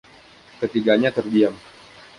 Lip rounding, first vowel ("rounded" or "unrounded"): unrounded